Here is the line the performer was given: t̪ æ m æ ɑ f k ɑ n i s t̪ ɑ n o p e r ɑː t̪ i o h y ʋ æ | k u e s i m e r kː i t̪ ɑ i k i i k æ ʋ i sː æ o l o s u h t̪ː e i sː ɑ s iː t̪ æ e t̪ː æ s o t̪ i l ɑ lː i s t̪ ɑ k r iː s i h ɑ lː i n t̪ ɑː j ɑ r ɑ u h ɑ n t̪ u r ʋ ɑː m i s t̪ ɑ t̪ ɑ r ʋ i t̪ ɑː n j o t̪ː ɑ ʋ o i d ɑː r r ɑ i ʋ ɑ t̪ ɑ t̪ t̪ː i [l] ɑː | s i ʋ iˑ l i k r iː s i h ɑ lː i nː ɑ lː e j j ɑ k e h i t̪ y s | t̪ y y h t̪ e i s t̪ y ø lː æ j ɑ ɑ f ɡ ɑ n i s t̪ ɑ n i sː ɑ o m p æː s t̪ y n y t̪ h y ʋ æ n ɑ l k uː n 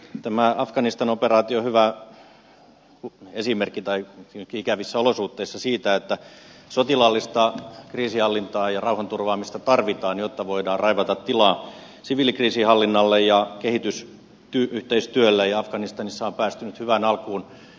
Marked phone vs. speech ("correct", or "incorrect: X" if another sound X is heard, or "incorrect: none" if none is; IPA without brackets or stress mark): correct